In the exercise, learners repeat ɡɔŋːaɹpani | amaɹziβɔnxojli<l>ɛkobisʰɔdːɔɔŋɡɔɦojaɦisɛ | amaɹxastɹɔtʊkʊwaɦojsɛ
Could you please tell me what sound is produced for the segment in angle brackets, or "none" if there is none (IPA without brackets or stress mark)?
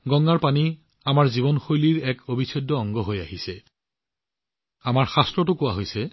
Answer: ɹ